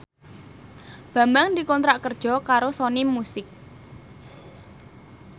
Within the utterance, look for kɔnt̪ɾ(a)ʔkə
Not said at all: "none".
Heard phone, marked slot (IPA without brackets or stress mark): a